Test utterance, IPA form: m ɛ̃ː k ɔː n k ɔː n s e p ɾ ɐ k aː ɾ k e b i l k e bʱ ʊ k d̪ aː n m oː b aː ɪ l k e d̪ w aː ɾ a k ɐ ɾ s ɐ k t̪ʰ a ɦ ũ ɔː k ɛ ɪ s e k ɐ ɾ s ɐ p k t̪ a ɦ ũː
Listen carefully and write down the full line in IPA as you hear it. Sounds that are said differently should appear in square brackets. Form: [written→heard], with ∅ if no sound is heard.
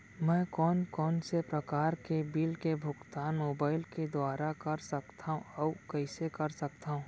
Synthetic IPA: m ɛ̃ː k ɔː n k ɔː n s e p ɾ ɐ k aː ɾ k e b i l k e bʱ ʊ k [d̪→t̪] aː n m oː b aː ɪ l k e d̪ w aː ɾ a k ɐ ɾ s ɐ k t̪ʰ a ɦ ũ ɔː k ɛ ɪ s e k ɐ ɾ s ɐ [p→∅] k t̪ a ɦ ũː